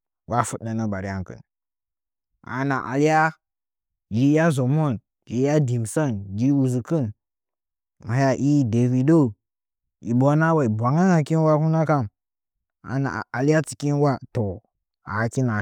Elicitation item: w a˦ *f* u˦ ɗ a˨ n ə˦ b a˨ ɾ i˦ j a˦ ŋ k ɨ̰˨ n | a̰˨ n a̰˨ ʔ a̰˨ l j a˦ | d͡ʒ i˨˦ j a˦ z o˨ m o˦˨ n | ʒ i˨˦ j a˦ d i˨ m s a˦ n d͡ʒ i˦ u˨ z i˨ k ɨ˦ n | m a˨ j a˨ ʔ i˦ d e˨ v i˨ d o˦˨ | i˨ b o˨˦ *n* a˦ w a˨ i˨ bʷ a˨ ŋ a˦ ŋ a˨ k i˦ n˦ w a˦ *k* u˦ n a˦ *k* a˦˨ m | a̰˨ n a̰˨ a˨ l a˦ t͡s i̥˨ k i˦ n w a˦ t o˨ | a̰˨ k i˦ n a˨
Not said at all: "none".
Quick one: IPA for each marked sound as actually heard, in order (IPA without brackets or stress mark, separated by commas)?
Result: f, n, k, k